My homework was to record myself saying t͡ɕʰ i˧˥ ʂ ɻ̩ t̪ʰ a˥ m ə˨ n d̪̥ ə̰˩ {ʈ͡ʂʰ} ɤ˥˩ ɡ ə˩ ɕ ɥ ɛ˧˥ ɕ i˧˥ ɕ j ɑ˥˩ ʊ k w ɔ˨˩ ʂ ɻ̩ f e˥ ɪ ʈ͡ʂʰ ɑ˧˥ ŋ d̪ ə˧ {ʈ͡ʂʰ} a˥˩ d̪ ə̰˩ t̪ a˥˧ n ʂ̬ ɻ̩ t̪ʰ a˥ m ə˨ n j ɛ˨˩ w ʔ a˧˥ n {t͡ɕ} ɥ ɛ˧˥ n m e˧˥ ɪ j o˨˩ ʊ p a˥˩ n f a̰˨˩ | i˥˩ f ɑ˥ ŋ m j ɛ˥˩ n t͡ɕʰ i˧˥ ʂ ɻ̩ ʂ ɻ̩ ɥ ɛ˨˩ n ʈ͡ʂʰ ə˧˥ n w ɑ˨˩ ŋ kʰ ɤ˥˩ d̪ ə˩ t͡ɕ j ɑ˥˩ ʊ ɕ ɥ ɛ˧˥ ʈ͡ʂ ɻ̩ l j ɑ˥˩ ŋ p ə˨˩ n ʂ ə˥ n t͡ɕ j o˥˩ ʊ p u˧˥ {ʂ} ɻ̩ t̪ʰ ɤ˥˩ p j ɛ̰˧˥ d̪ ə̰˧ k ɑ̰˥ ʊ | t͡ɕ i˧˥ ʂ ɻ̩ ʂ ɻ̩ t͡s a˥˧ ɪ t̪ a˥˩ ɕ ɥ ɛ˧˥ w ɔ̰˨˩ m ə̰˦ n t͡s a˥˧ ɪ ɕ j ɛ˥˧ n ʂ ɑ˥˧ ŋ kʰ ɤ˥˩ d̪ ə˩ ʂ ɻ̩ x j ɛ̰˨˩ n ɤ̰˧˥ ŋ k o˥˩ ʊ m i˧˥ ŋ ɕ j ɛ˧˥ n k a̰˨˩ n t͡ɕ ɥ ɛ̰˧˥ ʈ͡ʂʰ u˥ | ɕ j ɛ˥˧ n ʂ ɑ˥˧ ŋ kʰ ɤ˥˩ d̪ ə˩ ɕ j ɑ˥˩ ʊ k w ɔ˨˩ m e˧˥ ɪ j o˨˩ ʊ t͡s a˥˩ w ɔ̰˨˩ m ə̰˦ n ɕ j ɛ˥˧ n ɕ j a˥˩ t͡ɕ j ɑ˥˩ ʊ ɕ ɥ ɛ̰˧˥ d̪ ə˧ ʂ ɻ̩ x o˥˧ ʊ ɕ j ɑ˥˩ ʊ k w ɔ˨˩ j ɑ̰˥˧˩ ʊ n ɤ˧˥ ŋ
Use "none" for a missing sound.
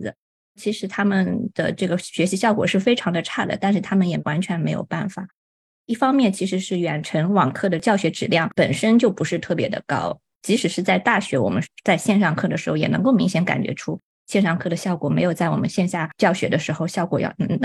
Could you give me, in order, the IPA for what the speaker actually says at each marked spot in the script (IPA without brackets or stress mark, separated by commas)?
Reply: ʈ͡ʂ, ʈ͡ʂʰ, t͡ɕʰ, ʂ